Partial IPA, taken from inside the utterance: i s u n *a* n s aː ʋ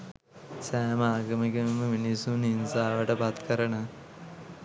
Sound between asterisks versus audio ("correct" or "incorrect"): incorrect